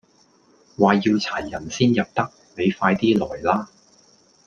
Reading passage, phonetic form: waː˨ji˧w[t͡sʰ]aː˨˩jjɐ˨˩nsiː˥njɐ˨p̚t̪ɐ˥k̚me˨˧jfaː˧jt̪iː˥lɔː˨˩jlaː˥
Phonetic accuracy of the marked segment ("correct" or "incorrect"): correct